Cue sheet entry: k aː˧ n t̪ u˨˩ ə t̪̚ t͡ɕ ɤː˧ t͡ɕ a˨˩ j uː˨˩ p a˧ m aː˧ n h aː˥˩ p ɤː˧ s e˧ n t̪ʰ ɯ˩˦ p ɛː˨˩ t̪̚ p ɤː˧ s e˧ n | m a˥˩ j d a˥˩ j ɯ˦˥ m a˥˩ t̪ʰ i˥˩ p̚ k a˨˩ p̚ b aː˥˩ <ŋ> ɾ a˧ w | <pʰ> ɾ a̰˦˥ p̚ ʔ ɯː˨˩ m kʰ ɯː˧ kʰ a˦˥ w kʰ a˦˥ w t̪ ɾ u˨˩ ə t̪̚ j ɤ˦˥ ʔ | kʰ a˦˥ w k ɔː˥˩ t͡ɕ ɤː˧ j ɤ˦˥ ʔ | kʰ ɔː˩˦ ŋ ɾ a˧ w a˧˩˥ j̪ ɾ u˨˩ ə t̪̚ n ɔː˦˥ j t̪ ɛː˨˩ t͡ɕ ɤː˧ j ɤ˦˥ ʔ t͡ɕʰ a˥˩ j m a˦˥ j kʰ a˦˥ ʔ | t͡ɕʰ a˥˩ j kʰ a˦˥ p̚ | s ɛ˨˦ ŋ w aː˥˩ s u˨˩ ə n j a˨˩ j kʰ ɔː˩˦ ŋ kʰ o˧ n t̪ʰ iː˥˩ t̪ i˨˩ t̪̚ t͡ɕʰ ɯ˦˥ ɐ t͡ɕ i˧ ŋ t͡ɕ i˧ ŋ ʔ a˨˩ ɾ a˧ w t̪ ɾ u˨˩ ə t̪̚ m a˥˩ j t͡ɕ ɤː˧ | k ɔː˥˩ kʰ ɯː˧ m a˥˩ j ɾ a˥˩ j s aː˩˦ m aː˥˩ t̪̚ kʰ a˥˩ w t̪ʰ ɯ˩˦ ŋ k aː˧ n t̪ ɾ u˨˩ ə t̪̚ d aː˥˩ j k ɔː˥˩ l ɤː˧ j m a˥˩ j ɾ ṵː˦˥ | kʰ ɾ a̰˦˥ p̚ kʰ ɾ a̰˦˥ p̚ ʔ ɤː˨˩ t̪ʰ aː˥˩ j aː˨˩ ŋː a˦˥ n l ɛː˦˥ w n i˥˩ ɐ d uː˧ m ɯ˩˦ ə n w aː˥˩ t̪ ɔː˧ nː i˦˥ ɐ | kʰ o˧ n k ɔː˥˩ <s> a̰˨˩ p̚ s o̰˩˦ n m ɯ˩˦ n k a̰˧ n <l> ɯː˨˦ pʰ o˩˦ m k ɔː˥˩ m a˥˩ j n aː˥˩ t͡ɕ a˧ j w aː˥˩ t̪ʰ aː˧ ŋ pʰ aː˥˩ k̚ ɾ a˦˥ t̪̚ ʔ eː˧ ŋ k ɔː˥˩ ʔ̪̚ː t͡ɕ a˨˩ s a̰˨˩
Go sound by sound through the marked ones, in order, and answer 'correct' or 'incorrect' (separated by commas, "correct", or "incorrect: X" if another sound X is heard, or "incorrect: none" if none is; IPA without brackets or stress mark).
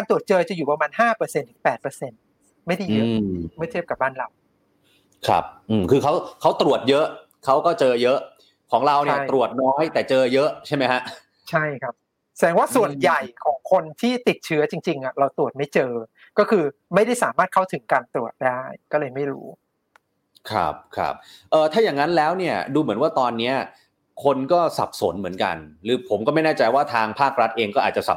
incorrect: n, incorrect: kʰ, correct, incorrect: ɾ